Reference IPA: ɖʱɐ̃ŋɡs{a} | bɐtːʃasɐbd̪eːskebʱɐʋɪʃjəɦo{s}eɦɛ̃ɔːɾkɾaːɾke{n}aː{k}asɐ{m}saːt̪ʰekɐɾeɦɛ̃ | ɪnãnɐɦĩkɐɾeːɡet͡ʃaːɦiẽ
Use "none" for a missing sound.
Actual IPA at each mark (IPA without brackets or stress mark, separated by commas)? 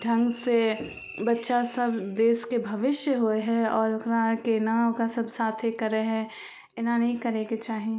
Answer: e, none, n, k, b